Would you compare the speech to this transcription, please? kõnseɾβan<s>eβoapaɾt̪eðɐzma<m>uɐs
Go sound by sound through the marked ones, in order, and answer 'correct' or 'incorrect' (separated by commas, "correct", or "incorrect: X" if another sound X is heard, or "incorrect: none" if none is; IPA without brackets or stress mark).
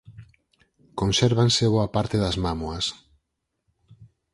correct, correct